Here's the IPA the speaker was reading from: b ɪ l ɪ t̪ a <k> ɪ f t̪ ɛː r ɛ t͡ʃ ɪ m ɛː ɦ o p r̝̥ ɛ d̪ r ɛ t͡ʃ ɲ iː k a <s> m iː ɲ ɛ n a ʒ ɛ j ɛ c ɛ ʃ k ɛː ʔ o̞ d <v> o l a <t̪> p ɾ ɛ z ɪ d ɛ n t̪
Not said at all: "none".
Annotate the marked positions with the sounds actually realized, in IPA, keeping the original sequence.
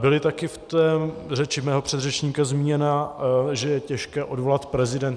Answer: k, z, v, t̪

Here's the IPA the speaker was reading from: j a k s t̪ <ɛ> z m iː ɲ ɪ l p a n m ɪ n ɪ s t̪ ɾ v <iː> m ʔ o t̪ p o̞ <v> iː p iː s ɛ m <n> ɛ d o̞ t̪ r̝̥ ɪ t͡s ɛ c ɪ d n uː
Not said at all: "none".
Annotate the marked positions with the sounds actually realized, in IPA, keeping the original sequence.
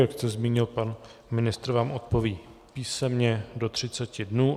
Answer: ɛ, aː, v, ɲ

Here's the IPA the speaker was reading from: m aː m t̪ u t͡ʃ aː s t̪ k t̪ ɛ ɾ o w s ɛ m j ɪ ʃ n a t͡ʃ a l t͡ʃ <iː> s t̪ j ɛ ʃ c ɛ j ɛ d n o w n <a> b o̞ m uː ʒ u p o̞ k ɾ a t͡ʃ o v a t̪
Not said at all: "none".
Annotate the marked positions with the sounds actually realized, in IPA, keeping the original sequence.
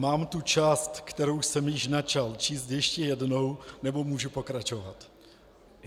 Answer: iː, ɛ

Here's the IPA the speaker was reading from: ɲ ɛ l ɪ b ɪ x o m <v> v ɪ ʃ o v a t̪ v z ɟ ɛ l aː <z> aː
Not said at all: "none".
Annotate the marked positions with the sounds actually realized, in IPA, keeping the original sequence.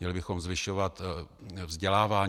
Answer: z, v

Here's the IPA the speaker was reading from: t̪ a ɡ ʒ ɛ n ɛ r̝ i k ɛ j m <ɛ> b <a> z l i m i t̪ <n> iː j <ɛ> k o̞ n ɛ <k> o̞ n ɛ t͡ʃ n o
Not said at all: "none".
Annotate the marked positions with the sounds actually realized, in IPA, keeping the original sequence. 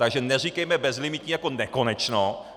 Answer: ɛ, ɛ, ɲ, a, k

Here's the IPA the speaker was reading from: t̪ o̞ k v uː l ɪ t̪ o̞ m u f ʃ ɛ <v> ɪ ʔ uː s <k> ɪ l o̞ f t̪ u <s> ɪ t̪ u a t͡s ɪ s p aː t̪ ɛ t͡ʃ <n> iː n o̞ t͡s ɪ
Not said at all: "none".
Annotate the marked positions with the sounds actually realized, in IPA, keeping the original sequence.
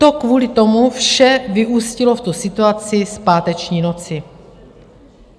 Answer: v, c, s, ɲ

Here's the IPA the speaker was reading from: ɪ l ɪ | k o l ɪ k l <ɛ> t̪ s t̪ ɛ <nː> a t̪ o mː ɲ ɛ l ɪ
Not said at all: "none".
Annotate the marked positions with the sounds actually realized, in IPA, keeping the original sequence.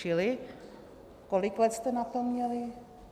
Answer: ɛ, n

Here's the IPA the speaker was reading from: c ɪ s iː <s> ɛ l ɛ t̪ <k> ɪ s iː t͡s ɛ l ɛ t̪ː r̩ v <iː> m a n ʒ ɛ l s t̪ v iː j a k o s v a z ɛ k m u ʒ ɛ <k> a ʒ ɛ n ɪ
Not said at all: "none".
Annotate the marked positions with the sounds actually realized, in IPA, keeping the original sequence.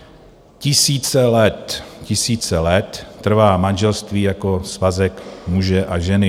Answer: t͡s, c, aː, ʔ

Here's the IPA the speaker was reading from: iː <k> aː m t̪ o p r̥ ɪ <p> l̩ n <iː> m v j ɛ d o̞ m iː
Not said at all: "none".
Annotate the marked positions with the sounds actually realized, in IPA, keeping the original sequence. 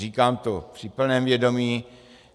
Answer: k, p, ɛː

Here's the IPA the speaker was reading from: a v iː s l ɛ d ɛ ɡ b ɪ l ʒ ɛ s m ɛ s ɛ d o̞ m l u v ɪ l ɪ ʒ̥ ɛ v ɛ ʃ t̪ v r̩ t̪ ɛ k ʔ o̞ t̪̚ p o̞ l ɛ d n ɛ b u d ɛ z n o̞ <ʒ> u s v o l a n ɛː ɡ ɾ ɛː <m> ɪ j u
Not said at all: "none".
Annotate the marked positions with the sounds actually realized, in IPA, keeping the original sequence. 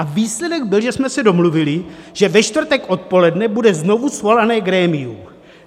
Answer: v, m

